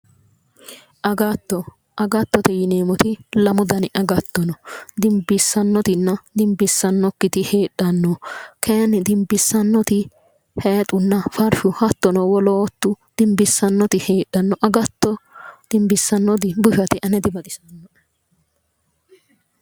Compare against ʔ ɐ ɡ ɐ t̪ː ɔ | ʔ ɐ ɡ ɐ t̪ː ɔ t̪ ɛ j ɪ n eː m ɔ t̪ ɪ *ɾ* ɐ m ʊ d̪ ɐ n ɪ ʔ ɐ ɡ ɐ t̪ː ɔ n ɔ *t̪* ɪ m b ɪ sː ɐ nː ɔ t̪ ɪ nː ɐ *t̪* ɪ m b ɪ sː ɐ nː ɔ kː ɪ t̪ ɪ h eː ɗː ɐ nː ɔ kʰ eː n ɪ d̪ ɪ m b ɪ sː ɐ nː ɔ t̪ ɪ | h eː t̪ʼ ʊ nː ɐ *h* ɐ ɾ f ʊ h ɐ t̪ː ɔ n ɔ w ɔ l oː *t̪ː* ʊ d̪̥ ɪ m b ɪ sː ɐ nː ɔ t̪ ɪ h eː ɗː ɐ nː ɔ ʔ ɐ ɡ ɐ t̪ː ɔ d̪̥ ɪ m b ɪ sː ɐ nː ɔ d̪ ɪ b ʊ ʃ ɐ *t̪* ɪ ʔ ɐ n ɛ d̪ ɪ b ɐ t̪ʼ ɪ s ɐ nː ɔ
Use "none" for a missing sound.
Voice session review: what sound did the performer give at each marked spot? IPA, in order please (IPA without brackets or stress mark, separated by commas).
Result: l, d̪, d̪, f, t̪ː, t̪